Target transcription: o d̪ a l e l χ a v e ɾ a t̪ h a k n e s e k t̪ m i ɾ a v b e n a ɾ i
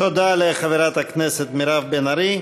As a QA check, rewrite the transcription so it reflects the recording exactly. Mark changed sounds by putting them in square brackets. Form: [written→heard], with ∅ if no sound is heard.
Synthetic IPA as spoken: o d̪ a l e [l→∅] χ a v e ɾ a t̪ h a k n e s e [k→∅] t̪ m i ɾ a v b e n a ɾ i